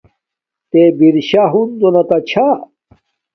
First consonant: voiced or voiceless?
voiceless